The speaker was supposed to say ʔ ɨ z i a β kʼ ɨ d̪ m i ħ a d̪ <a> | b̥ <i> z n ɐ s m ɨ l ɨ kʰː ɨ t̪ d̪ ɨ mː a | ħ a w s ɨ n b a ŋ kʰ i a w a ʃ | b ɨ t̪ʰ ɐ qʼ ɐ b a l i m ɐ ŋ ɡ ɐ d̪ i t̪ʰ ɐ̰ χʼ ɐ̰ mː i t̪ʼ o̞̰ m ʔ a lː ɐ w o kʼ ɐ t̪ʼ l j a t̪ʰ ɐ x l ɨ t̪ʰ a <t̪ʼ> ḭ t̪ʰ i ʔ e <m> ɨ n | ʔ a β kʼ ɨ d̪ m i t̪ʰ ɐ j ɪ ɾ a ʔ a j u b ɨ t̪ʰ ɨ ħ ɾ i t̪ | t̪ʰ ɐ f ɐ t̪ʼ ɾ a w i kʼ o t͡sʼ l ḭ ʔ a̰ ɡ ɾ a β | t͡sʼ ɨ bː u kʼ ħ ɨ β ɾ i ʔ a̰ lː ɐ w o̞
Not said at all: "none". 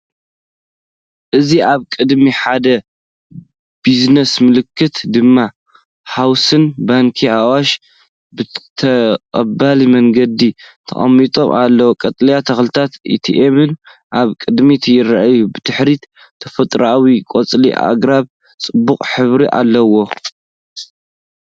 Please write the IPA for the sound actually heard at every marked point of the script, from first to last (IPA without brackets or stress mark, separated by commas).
ɐ, i, t̪, m